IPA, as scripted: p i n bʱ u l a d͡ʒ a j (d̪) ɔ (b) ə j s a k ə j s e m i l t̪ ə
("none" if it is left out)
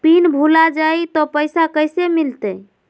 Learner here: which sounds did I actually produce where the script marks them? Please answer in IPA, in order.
t̪, p

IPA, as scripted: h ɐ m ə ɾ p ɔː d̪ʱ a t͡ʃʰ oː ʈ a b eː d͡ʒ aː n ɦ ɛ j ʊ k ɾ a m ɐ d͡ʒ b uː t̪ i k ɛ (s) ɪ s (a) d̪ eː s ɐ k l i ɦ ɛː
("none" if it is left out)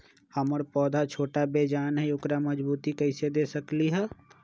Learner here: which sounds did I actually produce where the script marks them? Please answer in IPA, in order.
none, e

